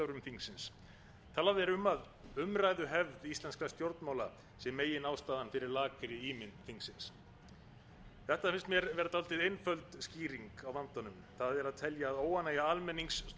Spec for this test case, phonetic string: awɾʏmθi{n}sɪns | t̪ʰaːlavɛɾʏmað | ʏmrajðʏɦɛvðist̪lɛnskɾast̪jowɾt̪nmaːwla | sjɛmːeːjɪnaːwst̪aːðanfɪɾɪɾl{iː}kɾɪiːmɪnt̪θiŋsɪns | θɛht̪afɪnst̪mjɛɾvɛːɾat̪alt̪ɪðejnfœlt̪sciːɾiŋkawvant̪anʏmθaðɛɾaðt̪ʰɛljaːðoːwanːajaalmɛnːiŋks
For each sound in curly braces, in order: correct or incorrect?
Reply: incorrect: ŋ, incorrect: aː

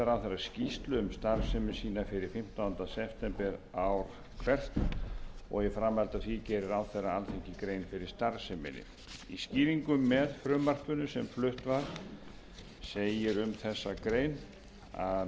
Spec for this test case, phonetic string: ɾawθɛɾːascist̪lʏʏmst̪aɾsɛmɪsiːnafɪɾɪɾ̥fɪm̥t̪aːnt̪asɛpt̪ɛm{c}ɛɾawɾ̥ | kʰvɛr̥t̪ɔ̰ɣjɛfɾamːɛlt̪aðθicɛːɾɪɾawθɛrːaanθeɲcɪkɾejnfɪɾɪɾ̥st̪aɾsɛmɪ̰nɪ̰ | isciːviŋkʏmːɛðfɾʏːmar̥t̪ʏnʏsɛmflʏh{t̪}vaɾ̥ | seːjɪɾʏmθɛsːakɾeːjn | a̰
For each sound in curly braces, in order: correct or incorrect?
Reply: incorrect: p, correct

